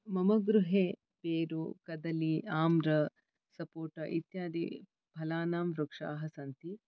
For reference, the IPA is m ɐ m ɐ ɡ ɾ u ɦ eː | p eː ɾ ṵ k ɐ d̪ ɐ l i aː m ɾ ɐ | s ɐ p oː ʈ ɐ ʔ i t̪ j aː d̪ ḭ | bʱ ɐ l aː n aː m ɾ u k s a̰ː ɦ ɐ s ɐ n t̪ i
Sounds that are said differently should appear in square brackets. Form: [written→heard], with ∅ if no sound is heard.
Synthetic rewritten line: m ɐ m ɐ ɡ ɾ u ɦ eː | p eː ɾ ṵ k ɐ d̪ ɐ l i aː m ɾ ɐ | s ɐ p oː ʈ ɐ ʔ i t̪ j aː d̪ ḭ | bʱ ɐ l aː n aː m ɾ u k [s→ʂ] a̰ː ɦ ɐ s ɐ n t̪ i